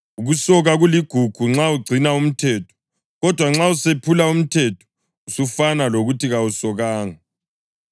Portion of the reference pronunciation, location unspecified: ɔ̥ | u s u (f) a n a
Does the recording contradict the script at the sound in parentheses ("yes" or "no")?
no